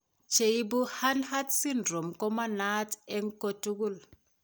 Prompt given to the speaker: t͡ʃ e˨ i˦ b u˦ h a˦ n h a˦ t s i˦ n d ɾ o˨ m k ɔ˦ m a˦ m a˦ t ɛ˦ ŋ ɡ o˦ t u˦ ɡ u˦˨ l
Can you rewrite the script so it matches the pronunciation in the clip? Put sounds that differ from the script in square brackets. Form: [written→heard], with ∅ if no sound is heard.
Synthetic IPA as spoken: t͡ʃ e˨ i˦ b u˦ h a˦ n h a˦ t s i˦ n d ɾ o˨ m k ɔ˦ m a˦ [m→n] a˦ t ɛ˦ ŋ [ɡ→k] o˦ t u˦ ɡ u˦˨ l